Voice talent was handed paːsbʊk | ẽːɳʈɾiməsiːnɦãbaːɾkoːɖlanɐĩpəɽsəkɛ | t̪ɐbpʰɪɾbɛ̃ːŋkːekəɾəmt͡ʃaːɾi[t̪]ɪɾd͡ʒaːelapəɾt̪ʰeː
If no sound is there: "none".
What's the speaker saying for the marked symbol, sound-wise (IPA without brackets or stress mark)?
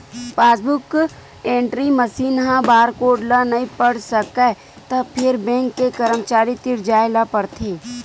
t̪